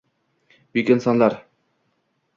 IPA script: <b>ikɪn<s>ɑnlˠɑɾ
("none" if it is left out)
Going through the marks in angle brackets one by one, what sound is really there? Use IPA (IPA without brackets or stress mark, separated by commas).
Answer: b, s